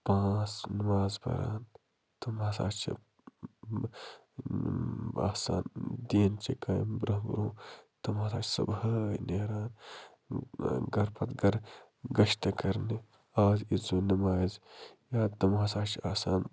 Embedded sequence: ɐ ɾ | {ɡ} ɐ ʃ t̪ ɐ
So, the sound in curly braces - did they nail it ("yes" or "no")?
yes